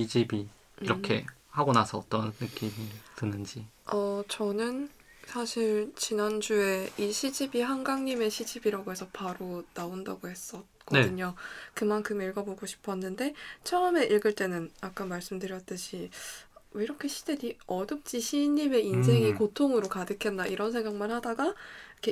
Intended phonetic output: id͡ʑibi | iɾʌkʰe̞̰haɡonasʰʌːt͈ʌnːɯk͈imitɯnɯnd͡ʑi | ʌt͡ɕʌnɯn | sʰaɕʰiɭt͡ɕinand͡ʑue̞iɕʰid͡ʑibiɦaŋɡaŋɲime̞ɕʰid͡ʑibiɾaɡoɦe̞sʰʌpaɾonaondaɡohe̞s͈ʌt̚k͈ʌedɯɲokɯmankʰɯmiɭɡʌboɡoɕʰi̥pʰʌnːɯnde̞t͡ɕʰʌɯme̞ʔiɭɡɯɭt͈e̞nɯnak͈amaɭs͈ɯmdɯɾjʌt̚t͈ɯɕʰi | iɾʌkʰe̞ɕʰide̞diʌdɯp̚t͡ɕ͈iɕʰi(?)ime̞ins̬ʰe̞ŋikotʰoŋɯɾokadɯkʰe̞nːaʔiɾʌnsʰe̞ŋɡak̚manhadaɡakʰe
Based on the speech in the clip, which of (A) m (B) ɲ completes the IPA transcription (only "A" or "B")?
B